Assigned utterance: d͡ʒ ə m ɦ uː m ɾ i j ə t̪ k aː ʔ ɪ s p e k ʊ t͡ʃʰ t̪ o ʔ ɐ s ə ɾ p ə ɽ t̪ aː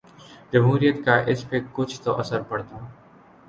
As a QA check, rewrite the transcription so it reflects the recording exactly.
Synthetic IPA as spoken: d͡ʒ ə m ɦ uː ɾ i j ə t̪ k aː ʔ ɪ s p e k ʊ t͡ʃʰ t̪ o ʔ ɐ s ə ɾ p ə ɽ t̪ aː